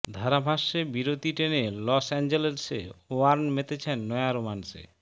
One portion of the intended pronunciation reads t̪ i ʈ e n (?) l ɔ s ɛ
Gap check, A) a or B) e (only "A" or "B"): B